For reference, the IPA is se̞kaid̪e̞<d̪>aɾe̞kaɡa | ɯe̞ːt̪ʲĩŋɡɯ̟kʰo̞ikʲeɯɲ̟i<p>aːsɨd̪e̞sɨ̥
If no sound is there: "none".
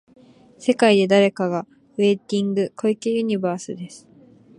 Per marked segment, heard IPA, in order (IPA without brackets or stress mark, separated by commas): d̪, b